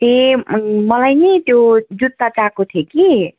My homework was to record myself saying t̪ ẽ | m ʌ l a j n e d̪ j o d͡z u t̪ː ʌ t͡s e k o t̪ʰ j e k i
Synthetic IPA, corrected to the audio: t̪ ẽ | m ʌ l a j n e t̪ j o d͡z u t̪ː a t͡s a k o t̪ʰ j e k i